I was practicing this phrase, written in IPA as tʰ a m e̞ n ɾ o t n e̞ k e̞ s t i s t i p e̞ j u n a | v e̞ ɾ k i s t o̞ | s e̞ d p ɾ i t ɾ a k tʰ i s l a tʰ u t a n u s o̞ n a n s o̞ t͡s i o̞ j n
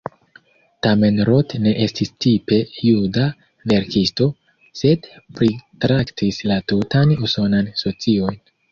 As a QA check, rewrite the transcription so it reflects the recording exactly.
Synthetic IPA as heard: t a m e̞ n ɾ o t n e̞ ʔ e̞ s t i s t i p e̞ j u d a | v e̞ ɾ k i s t o̞ | s e̞ d p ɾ i t ɾ a k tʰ i s l a t u t a n u s o̞ n a n s o̞ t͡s i o̞ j n